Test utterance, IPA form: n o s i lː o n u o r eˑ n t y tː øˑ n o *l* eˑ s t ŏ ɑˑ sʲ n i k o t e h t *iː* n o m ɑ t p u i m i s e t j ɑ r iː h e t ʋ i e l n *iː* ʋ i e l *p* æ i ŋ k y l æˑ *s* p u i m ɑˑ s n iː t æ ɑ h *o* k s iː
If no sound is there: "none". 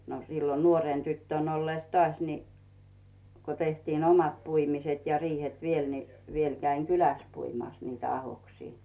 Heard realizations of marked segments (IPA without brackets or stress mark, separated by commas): lː, iː, i, k, s, o